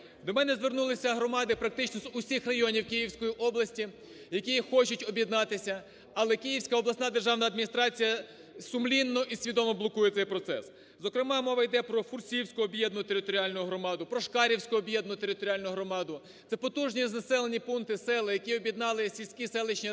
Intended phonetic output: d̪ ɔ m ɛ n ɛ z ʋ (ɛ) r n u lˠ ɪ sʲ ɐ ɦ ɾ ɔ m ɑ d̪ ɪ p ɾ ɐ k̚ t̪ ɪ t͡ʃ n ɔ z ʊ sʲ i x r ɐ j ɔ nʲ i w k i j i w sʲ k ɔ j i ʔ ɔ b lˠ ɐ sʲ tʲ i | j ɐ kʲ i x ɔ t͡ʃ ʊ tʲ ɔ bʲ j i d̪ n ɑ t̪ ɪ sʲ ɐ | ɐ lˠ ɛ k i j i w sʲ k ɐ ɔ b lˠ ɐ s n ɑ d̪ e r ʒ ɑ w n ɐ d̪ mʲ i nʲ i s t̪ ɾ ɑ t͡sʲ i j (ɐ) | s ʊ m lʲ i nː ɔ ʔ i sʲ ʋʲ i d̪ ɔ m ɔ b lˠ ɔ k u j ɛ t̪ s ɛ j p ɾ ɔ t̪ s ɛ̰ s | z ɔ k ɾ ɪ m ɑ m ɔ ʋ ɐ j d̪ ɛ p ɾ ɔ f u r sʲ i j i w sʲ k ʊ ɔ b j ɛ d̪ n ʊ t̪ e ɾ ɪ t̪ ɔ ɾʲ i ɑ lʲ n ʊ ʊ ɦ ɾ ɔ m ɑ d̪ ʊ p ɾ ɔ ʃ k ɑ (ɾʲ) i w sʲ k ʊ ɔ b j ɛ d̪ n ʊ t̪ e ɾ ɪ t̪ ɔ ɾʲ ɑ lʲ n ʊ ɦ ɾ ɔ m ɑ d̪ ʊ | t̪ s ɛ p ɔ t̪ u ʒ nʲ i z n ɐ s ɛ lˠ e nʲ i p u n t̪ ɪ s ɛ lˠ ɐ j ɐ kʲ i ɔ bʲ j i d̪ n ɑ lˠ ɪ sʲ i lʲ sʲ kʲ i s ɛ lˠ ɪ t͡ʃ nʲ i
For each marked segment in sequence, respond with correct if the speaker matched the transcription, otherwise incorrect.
incorrect: e, correct, correct

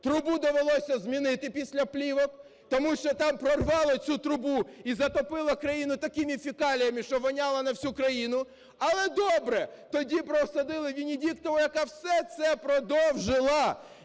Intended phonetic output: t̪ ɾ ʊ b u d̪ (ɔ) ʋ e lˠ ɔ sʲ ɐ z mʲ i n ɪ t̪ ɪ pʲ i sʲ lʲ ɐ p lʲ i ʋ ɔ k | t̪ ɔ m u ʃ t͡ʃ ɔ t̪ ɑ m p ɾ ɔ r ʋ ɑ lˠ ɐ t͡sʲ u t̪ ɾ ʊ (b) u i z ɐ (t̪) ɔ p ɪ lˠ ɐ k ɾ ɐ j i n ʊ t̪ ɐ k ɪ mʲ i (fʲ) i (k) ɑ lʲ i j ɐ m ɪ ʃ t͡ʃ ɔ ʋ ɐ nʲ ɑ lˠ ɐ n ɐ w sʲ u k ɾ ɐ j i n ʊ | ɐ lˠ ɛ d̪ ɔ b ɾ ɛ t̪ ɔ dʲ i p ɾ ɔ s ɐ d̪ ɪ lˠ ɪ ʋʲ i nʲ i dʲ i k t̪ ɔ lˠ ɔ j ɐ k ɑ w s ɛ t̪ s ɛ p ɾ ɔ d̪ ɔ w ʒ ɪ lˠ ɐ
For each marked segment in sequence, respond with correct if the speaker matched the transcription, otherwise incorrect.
correct, correct, correct, correct, correct

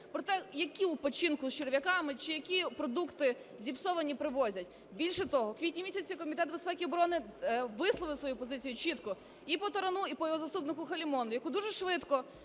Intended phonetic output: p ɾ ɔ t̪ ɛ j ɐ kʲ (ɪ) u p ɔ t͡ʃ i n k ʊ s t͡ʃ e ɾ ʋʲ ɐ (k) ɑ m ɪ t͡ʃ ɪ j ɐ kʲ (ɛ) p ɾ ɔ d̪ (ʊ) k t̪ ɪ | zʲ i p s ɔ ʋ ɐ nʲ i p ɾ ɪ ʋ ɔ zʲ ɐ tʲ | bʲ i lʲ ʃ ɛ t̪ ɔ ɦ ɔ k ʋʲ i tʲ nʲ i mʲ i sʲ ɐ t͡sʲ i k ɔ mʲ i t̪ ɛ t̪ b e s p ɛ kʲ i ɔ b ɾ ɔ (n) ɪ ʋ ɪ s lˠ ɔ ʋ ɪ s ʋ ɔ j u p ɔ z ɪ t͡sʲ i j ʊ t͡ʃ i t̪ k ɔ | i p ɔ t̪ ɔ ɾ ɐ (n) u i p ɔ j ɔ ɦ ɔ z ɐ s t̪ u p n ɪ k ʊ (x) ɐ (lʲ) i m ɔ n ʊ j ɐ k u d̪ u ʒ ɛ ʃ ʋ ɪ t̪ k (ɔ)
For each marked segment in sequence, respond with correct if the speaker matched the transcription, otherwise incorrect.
incorrect: i, correct, incorrect: i, incorrect: u, correct, correct, correct, correct, correct

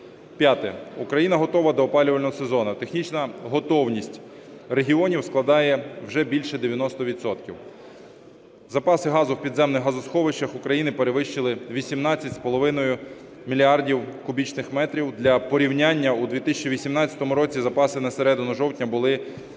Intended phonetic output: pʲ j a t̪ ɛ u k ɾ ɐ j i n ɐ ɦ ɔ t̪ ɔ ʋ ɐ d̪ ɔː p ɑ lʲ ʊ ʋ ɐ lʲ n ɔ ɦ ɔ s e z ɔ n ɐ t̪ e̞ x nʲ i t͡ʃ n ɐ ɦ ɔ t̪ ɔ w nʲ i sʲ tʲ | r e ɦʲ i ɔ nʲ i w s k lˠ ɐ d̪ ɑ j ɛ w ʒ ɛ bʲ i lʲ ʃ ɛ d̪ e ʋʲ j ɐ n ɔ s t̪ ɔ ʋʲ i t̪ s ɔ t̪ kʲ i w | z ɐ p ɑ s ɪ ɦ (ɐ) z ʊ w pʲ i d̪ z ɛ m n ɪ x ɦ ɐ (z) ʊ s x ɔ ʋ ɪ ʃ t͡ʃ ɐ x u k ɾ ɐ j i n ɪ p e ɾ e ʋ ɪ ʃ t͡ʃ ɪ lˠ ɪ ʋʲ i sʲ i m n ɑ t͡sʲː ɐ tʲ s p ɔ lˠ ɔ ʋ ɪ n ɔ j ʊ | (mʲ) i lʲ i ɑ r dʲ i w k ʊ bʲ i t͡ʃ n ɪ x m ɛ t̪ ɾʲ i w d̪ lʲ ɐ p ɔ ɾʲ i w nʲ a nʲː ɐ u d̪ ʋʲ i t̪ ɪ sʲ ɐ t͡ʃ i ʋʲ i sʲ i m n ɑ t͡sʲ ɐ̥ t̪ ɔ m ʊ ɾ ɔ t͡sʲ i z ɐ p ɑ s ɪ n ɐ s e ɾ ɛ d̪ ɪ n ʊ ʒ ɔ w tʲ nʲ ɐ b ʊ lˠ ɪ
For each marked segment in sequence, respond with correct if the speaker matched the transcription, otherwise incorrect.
incorrect: ɑ, correct, correct

